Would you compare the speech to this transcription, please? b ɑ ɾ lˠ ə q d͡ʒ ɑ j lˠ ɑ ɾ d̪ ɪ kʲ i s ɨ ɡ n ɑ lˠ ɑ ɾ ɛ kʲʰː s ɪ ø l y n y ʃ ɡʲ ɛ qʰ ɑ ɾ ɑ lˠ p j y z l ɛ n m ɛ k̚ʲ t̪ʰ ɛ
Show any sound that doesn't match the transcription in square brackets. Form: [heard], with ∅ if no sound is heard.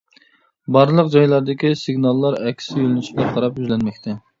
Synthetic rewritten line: b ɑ ɾ lˠ ə q d͡ʒ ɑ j lˠ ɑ ɾ d̪ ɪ kʲ i s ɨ ɡ n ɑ [lˠː] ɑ ɾ ɛ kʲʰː s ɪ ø l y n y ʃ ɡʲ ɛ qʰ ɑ ɾ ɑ [∅] p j y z l ɛ n m ɛ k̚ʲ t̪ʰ ɛ